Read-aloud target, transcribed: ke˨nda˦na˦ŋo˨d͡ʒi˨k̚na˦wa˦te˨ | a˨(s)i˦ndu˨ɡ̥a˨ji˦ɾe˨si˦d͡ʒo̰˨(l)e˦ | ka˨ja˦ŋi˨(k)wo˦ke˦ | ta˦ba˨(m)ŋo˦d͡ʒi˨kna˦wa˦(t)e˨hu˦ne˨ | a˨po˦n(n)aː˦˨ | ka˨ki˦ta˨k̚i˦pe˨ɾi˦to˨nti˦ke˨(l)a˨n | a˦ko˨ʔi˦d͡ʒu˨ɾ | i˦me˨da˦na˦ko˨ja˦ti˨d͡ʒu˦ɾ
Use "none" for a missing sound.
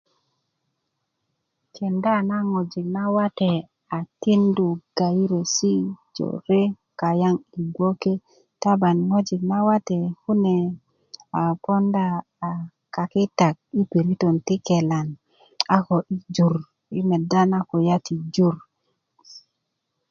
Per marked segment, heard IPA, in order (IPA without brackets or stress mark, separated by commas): t, ɾ, ɡ, n, t, d, l